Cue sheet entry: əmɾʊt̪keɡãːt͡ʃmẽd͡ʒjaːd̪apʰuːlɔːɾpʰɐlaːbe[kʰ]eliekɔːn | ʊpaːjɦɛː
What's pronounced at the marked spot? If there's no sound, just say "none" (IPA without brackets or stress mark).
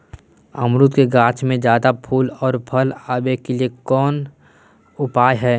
k